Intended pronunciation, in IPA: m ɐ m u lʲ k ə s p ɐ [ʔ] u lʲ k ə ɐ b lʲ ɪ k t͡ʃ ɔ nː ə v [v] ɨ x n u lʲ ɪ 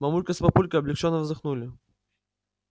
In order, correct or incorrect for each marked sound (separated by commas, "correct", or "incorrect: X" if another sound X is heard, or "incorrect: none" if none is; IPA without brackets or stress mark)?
incorrect: p, incorrect: z